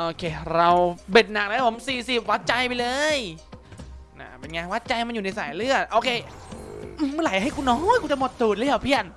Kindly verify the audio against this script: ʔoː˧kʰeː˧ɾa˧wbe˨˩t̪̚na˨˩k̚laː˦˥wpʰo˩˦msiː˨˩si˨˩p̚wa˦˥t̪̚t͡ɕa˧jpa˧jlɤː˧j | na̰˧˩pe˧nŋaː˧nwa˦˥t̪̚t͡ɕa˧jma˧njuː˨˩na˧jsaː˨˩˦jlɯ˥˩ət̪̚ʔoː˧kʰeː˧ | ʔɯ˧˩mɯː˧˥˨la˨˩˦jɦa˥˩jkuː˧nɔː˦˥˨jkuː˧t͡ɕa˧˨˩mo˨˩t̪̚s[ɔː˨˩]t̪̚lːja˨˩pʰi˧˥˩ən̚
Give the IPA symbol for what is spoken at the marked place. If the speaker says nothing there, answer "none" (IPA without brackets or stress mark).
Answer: uː˨˩